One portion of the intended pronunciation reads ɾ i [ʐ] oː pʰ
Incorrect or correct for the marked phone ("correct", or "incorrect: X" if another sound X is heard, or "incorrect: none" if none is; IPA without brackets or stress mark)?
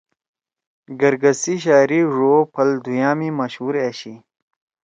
correct